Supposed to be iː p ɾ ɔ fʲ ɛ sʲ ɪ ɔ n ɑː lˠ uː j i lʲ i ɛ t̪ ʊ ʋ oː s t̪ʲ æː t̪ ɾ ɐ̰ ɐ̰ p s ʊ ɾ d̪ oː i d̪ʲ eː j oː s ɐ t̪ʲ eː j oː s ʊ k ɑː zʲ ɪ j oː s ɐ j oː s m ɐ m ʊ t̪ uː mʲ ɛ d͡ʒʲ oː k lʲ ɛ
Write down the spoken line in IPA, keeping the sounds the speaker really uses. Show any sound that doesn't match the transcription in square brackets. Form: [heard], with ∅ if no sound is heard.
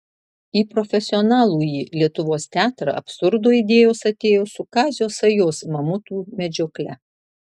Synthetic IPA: iː p ɾ ɔ fʲ ɛ sʲ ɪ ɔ n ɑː lˠ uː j i lʲ i ɛ t̪ ʊ ʋ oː s t̪ʲ æː t̪ ɾ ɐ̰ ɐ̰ p s ʊ ɾ d̪ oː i d̪ʲ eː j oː s ɐ t̪ʲ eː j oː s ʊ k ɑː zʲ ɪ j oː s ɐ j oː s m ɐ m ʊ t̪ uː mʲ ɛ d͡ʒʲ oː k lʲ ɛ